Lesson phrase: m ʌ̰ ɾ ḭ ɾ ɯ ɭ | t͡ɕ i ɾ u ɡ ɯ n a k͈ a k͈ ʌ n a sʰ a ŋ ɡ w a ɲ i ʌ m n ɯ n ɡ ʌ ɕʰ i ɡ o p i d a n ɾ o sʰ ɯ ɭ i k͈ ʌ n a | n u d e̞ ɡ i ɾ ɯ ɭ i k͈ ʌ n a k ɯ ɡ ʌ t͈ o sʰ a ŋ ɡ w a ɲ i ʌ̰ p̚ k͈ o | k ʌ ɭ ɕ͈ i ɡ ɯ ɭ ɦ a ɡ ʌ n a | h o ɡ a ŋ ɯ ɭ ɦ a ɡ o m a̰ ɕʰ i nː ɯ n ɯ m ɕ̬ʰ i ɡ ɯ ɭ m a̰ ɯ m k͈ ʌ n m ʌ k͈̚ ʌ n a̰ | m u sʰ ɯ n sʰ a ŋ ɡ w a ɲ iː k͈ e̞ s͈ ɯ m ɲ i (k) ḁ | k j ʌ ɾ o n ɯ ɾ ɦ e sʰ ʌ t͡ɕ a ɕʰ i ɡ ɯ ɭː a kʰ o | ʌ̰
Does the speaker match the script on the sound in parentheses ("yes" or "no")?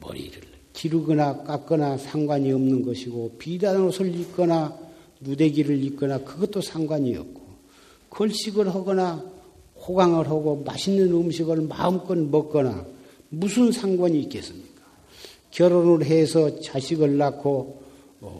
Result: yes